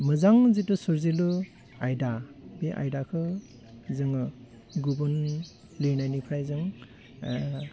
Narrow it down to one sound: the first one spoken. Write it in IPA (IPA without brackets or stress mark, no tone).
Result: m